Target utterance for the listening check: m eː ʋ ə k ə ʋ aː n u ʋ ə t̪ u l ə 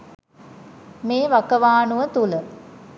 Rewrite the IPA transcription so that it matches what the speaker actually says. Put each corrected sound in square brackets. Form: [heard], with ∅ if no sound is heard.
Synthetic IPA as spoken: m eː ʋ [a] k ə ʋ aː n u ʋ ə t̪ u l ə